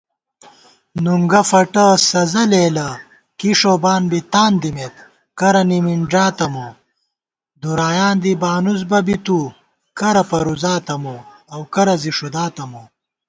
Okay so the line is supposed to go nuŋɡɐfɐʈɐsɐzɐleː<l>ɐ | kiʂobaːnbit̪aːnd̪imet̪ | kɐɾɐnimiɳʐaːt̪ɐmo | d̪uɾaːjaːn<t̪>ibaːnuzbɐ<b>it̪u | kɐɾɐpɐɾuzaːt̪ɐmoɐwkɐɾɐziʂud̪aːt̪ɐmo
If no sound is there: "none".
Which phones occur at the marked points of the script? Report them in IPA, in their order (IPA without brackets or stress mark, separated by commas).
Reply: l, d̪, b